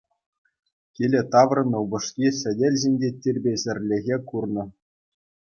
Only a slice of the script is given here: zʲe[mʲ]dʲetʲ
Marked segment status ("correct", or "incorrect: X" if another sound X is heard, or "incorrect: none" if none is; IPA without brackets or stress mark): incorrect: nʲ